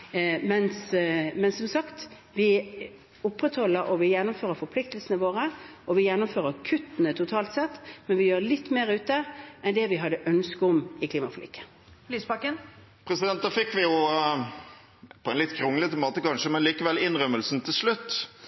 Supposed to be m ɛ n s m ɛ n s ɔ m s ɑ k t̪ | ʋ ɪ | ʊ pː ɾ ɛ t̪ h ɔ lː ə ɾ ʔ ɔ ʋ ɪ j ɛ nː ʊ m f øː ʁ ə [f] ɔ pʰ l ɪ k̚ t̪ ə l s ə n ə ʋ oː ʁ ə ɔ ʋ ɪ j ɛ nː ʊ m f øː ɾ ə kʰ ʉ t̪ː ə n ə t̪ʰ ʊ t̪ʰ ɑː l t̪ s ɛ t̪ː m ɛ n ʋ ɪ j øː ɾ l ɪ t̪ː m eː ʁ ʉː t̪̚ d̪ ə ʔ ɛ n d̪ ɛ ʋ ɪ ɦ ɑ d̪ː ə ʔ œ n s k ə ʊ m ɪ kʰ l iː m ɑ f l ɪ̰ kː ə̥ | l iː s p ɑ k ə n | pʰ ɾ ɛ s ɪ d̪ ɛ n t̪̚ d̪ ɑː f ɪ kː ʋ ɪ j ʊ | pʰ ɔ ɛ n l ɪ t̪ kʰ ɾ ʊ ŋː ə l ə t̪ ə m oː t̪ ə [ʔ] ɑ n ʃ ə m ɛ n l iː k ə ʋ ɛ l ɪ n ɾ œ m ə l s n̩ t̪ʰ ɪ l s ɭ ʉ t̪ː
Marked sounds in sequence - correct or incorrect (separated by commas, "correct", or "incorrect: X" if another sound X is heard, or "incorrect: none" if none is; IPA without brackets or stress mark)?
correct, incorrect: k